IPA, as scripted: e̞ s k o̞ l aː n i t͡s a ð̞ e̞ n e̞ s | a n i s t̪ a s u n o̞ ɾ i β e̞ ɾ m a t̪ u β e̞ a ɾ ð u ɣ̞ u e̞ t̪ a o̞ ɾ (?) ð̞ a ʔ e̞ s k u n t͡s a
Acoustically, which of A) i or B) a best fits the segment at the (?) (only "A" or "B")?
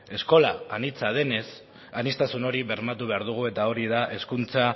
A